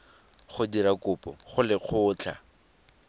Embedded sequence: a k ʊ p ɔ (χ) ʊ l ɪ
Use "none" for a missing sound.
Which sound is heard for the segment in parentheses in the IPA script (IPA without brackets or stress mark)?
χ